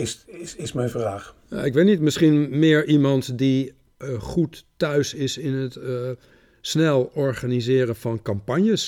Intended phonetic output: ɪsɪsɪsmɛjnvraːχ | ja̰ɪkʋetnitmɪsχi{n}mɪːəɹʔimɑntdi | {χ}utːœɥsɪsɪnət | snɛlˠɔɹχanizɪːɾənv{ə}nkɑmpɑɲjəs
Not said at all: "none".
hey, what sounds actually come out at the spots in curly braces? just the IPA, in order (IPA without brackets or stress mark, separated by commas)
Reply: n, χ, ɑ